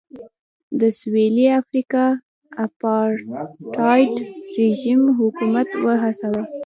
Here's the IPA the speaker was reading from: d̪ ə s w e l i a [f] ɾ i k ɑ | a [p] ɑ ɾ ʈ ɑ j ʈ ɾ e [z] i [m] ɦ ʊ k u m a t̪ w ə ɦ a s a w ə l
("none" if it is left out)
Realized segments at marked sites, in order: f, p, ʒ, m

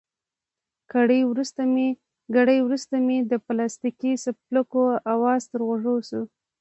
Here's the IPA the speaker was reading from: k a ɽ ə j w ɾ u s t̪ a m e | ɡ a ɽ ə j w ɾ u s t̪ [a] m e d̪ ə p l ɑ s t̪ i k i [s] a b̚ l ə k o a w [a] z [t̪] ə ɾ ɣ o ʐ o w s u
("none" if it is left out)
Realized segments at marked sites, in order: a, s, ɑ, t̪

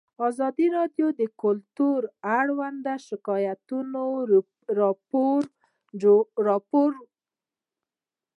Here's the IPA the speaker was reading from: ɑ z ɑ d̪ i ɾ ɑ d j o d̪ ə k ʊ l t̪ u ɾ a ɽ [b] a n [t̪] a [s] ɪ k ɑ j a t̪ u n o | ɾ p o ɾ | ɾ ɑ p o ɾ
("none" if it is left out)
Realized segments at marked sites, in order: w, d̪, ʃ

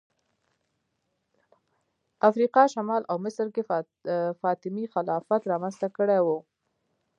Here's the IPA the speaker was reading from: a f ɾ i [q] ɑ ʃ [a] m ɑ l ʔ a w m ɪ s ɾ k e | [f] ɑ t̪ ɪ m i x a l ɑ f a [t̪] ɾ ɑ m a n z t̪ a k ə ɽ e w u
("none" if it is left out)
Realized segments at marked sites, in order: q, a, f, t̪

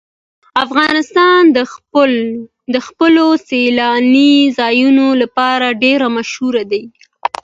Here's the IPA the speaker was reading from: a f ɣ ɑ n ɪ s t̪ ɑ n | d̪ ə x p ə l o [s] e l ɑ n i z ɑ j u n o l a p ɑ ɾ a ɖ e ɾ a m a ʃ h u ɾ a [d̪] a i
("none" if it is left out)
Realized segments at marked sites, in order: s, d̪

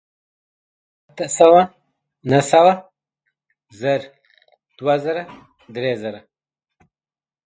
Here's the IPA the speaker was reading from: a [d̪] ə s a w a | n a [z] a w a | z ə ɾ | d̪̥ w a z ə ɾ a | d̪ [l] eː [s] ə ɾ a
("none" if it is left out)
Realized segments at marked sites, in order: t̪, s, ɾ, z

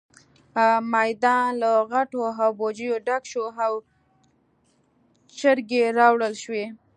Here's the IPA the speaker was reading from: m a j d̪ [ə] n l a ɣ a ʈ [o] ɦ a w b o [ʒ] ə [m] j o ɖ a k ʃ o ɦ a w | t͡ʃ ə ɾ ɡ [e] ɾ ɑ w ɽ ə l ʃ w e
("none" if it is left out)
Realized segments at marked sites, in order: ɑ, o, d͡ʒ, none, e

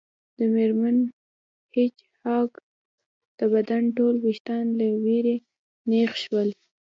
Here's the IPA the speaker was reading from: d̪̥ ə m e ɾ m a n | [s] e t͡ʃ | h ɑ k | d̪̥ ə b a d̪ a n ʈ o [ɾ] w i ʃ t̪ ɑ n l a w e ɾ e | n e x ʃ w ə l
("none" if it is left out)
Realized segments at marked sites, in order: h, l

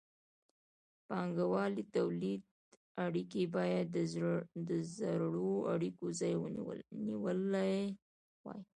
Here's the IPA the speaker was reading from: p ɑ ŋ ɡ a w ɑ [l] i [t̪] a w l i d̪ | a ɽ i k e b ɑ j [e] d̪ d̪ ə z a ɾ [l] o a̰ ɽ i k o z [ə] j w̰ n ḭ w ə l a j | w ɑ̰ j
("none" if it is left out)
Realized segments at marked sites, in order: l, t̪, a, ɽ, ɑ

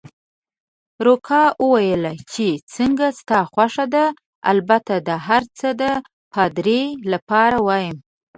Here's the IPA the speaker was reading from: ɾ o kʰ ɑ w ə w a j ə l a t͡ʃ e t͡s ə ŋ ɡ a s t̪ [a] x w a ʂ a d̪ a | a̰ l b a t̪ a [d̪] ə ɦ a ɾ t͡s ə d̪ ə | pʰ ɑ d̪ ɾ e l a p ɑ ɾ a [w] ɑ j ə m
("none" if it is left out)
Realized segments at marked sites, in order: ɑ, d̪, w

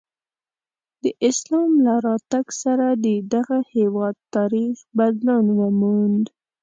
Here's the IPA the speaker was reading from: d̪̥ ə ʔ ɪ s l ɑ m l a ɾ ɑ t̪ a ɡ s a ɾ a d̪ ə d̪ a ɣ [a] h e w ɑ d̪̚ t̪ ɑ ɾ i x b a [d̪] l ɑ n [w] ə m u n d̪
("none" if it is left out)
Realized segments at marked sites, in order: a, d̪, w

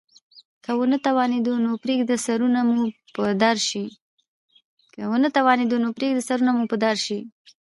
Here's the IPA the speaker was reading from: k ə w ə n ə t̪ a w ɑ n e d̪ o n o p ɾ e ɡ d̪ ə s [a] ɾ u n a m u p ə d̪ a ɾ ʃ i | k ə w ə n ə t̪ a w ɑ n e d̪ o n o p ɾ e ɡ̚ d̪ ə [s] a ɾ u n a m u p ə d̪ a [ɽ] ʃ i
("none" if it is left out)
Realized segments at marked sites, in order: a, s, ɾ

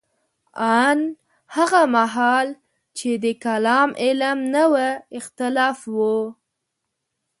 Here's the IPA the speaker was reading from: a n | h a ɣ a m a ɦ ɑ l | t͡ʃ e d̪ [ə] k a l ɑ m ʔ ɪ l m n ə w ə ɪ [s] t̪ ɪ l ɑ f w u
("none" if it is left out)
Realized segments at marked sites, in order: ə, x

